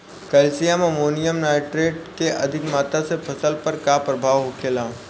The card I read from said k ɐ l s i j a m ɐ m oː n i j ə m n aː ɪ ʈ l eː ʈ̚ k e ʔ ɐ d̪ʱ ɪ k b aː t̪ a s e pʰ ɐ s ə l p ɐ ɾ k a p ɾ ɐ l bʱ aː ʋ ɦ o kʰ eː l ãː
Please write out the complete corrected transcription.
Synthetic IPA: k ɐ l s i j a m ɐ m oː n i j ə m n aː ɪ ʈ ɾ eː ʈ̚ k e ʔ ɐ d̪ʱ ɪ k m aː t̪ a s e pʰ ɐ s ə l p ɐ ɾ k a p ɾ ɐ bʱ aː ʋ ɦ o kʰ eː l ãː

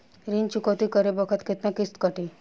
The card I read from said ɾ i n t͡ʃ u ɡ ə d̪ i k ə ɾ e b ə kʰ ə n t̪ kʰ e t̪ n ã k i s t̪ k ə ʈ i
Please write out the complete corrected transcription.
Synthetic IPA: ɾ i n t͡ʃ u k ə t̪ i k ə ɾ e b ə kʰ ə t̪ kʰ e t̪ n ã k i s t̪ k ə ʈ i

